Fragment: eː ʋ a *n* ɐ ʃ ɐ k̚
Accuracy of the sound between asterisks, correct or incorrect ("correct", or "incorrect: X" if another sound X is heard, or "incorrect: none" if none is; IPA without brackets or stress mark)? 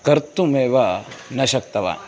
correct